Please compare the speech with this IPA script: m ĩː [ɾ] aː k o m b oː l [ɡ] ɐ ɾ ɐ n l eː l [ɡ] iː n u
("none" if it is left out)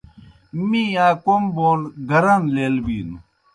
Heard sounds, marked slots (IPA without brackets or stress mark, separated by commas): none, ɡ, b